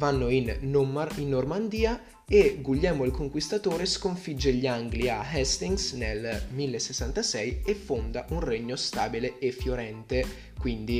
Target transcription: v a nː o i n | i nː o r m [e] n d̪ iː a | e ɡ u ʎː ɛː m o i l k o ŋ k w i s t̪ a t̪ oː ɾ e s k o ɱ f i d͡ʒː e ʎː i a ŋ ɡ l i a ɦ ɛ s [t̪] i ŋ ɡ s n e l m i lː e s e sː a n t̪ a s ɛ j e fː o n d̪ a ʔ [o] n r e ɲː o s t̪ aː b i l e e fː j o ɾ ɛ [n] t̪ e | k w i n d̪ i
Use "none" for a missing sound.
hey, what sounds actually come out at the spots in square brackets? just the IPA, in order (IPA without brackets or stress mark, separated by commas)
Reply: a, t̪, u, n